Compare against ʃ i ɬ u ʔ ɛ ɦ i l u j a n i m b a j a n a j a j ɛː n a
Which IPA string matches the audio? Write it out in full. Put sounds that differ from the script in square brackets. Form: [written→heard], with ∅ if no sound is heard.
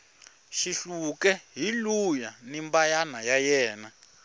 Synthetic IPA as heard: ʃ i ɬ u [ʔ→k] ɛ ɦ i l u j a n i m b a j a n a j a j ɛː n a